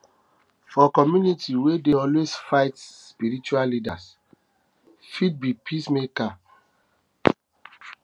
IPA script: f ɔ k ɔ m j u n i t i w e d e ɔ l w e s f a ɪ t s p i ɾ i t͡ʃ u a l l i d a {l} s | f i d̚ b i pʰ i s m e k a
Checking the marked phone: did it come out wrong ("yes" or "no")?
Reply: yes